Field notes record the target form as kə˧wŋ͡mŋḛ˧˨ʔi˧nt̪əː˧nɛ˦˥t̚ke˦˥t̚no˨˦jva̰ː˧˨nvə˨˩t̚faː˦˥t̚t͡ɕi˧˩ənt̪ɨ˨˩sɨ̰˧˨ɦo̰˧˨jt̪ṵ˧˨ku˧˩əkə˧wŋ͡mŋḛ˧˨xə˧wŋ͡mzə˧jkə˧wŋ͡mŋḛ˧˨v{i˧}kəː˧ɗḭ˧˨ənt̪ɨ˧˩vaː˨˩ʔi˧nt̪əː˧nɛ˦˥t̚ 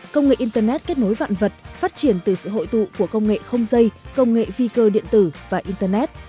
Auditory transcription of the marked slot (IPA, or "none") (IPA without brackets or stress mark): i˧